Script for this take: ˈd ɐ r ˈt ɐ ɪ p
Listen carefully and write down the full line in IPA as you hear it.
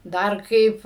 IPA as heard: ˈd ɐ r ˈk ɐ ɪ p